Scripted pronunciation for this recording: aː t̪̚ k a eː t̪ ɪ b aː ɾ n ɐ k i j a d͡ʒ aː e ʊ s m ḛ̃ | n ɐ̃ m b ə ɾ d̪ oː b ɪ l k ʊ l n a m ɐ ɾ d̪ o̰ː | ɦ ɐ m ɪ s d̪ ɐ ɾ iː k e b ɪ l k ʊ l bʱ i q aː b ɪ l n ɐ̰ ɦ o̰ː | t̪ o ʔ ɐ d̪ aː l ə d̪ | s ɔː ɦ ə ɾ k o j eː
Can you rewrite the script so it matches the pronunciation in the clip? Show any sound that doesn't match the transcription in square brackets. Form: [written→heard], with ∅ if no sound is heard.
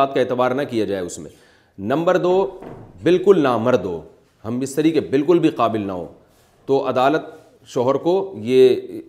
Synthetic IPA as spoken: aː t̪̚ k a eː t̪ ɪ b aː ɾ n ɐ k i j a d͡ʒ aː e ʊ s m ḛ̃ | n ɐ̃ m b ə ɾ d̪ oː b ɪ l k ʊ l n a m ɐ ɾ d̪ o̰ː | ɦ ɐ m ɪ s [d̪→t̪] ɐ ɾ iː k e b ɪ l k ʊ l bʱ i q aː b ɪ l n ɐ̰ ɦ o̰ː | t̪ o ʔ ɐ d̪ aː l ə [d̪→t̪] | [s→ʃ] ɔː ɦ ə ɾ k o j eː